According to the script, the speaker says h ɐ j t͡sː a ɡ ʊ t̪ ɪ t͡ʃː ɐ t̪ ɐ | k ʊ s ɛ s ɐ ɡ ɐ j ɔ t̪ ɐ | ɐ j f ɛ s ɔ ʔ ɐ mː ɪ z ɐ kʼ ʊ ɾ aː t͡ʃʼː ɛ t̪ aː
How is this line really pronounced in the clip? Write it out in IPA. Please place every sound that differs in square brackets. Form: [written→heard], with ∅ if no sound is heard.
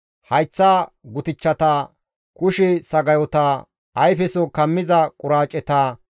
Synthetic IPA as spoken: h ɐ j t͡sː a ɡ ʊ t̪ ɪ t͡ʃː ɐ t̪ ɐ | k ʊ [s→ʃ] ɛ s ɐ ɡ ɐ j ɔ t̪ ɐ | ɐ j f ɛ s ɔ [ʔ→k] ɐ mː ɪ z ɐ kʼ ʊ ɾ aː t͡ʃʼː ɛ t̪ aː